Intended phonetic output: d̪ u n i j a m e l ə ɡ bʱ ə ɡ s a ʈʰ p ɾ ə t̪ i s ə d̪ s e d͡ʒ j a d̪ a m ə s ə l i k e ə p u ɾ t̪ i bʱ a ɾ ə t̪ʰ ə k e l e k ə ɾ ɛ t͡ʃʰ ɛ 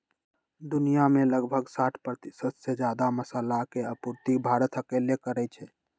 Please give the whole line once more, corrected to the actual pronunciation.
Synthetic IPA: d̪ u n i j a m e l ə ɡ bʱ ə ɡ s a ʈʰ p ɾ ə t̪ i s ə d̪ s e d͡ʒ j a d̪ a m ə s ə l a k e ə p u ɾ t̪ i bʱ a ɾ ə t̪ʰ ə k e l e k ə ɾ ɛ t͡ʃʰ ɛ